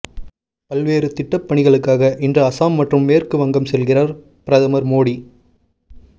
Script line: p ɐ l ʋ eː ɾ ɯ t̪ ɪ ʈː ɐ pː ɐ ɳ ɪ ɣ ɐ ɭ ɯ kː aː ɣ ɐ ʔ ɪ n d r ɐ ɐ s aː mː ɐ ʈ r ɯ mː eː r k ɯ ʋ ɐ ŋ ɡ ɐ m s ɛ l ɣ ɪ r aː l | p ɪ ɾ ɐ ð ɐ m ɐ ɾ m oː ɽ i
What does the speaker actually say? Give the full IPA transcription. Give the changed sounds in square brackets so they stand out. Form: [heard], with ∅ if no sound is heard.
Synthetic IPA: p ɐ l ʋ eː ɾ ɯ t̪ ɪ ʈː ɐ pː ɐ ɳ ɪ ɣ ɐ ɭ ɯ kː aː ɣ ɐ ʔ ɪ n d r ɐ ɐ s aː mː ɐ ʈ r ɯ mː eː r k ɯ ʋ ɐ ŋ ɡ ɐ m s ɛ l ɣ ɪ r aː [ɾ] | p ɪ ɾ ɐ ð ɐ m ɐ ɾ m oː ɽ i